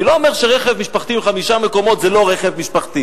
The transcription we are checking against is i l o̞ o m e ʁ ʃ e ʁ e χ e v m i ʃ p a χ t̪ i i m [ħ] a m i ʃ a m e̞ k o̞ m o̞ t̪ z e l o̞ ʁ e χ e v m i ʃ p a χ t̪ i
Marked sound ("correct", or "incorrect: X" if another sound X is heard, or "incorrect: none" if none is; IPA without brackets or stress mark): incorrect: χ